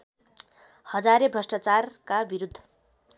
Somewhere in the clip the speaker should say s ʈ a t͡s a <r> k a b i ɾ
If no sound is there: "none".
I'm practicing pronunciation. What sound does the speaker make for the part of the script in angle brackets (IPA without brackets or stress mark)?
r